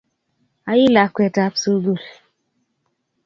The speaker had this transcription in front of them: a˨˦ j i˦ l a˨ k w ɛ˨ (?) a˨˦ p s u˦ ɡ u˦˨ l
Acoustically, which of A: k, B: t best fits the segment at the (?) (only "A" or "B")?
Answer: B